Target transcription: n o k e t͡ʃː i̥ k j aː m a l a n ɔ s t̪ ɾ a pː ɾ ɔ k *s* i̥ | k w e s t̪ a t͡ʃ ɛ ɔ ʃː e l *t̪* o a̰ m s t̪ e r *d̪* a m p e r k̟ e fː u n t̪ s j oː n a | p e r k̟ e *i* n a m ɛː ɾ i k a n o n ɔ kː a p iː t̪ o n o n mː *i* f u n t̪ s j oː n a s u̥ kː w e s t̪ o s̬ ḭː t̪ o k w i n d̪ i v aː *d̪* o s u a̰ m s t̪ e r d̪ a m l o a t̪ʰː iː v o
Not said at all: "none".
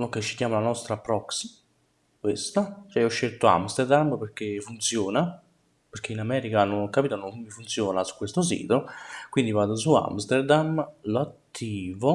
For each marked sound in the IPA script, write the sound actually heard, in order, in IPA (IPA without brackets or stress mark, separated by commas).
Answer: s, t̪, d̪, i, i, d̪